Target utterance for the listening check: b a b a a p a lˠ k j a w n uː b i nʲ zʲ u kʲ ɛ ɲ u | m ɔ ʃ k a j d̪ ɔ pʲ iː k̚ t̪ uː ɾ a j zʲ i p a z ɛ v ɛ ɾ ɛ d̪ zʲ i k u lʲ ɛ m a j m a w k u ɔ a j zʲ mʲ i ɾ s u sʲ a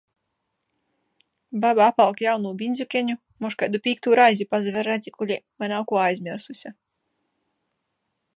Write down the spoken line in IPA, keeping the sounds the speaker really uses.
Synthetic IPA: b a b a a p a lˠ k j a w n uː b i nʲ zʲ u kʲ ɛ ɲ u | m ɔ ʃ k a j d̪ u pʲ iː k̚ t̪ uː ɾ a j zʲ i p a z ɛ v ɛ ɾ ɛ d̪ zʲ i k u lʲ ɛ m a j n a w k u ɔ a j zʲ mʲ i ɾ s u sʲ a